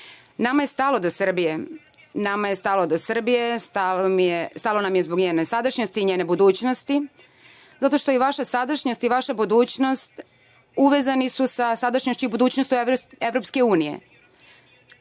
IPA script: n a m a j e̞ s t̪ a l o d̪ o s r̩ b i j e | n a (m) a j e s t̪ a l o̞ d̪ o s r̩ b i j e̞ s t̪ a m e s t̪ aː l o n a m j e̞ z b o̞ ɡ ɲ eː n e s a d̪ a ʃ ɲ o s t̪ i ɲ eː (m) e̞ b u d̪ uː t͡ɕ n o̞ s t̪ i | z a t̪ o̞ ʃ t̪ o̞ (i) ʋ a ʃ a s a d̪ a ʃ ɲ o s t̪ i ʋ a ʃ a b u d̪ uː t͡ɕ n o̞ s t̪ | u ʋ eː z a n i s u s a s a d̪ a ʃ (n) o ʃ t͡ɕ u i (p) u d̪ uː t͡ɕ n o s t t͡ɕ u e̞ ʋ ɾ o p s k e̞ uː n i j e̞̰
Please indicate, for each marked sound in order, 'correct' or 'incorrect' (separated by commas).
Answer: correct, incorrect, correct, incorrect, incorrect